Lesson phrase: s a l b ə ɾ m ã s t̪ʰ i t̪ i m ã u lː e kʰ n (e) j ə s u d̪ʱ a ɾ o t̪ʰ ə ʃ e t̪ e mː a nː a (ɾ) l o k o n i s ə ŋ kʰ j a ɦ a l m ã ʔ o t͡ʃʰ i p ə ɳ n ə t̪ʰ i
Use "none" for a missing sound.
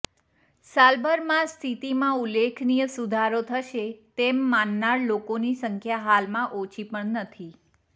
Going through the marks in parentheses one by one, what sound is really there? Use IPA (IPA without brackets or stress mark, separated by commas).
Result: i, ɾ